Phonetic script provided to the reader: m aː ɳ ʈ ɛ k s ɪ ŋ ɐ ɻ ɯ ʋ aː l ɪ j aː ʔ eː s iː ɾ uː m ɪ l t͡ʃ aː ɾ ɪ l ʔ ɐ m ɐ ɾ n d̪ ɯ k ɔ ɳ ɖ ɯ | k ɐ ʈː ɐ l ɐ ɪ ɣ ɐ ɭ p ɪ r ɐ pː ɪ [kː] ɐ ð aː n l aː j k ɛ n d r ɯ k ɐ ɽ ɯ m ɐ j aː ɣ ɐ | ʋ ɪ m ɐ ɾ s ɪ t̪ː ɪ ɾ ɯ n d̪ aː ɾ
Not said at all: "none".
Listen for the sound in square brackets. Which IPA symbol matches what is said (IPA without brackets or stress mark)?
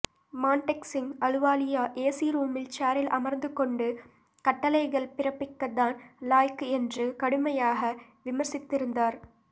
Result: kː